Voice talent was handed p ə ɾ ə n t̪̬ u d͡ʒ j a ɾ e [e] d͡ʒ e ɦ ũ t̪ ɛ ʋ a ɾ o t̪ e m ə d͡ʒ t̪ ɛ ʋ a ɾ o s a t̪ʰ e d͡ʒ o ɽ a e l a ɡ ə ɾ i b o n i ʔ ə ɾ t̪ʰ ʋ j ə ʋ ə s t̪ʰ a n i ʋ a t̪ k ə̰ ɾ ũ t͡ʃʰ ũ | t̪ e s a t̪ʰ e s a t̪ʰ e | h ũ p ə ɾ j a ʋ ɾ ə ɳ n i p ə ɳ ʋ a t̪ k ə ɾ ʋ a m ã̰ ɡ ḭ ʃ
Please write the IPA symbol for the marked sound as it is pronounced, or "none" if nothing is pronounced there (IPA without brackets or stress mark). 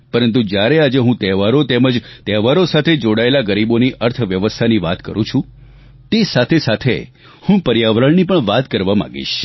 a